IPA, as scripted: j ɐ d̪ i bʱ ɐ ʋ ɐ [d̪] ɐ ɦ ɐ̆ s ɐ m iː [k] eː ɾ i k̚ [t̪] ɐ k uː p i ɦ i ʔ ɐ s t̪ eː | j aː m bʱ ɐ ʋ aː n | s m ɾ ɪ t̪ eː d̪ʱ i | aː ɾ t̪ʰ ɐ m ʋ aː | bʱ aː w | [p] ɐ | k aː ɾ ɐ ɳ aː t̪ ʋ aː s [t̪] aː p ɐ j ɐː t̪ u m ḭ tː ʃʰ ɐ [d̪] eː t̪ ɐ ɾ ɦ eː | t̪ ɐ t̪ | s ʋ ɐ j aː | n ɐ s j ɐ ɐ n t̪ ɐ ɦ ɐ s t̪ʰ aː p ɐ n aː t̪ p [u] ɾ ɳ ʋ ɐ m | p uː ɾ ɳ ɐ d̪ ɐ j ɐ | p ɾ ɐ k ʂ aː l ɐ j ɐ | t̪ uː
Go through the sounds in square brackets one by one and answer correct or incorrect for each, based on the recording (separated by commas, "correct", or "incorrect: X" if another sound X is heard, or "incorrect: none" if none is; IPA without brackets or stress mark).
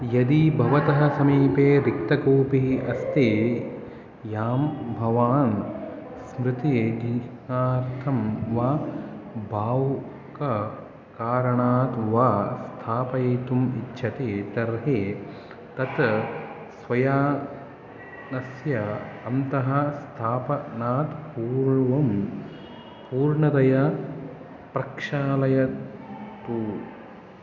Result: incorrect: t̪, incorrect: p, correct, incorrect: k, incorrect: t̪ʰ, incorrect: t̪, incorrect: uː